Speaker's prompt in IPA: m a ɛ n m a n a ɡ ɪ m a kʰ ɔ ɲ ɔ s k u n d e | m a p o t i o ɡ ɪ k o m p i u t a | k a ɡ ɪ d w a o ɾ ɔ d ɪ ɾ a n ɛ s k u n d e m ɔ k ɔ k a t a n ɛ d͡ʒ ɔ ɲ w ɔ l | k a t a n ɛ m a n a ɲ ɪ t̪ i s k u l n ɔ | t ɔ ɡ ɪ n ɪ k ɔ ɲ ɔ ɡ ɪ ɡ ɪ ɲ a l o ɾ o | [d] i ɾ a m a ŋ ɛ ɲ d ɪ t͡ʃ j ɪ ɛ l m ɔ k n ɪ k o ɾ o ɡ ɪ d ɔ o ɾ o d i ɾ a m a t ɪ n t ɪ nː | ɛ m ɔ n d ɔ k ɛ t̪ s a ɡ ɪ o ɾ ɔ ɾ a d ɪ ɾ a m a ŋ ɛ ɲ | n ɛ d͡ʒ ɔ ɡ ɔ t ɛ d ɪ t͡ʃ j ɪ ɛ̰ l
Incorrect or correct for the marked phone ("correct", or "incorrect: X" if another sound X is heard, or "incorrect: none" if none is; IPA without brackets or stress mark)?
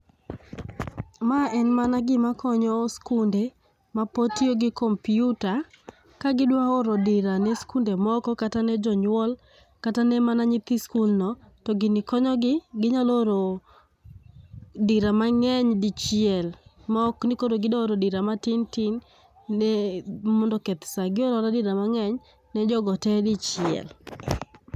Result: correct